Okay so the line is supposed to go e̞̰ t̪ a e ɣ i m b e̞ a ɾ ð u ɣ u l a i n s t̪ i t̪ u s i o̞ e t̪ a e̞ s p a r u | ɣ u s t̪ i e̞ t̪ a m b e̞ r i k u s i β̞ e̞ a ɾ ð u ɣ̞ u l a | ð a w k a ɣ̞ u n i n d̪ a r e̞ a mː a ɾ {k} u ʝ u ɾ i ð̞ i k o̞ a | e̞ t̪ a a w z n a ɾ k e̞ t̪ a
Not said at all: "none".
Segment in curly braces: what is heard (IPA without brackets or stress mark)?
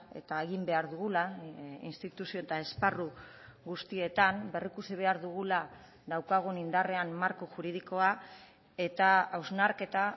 k